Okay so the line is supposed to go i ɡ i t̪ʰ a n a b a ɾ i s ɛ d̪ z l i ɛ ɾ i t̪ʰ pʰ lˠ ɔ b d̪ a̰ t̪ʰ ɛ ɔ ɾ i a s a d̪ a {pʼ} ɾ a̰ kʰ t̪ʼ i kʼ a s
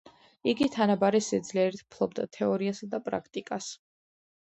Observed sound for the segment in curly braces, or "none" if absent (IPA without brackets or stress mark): pʼ